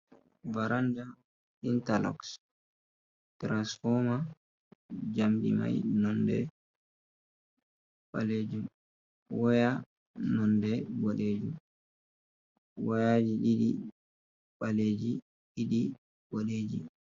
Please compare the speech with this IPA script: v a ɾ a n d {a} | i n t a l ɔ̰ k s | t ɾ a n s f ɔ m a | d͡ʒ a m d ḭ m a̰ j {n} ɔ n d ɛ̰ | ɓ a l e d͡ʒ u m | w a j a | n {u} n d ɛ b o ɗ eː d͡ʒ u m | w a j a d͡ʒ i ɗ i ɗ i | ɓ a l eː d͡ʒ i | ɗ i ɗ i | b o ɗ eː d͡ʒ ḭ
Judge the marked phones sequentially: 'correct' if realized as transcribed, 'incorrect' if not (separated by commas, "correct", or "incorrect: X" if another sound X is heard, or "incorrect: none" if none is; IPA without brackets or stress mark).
correct, correct, incorrect: ɔ